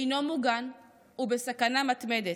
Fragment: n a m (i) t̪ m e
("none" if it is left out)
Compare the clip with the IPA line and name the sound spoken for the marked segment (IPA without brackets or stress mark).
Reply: a